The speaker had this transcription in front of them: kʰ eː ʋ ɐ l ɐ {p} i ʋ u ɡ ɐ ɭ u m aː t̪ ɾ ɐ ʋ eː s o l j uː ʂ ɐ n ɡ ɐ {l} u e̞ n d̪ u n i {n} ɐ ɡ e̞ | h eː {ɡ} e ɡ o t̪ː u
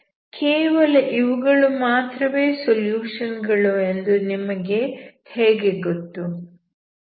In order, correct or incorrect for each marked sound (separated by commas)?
incorrect, incorrect, incorrect, correct